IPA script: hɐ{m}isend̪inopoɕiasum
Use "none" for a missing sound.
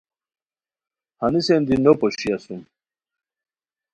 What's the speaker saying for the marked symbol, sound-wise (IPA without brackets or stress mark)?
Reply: n